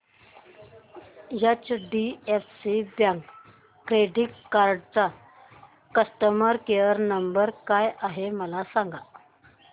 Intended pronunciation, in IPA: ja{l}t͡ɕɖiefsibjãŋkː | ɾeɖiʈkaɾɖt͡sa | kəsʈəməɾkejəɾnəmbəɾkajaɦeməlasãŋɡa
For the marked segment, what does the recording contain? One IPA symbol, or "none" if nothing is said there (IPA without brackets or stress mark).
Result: none